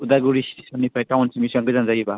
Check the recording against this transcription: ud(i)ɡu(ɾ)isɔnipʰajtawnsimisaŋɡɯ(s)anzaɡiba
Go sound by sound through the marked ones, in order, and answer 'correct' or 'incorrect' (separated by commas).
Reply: incorrect, correct, incorrect